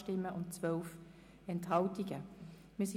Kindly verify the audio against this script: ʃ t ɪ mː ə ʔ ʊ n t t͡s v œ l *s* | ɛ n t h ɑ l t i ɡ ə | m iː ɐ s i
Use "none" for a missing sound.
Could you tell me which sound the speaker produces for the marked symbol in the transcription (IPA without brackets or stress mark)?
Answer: f